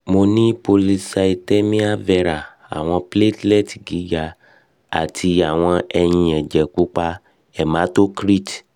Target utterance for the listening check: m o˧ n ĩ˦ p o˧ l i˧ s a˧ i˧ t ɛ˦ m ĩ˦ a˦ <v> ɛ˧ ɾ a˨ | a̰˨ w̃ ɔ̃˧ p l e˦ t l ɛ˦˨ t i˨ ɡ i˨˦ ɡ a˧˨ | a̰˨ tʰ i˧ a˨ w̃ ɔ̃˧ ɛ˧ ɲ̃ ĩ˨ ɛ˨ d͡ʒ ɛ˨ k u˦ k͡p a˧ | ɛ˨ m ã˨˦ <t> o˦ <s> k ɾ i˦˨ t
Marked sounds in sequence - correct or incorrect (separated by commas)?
correct, correct, incorrect